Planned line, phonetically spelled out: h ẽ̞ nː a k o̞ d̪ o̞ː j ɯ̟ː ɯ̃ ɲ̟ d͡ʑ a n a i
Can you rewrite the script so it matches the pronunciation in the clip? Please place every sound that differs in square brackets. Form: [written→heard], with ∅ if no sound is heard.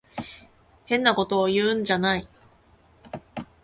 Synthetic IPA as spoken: h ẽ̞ nː a k o̞ [d̪→t̪] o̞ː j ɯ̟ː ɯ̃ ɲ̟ d͡ʑ a n a i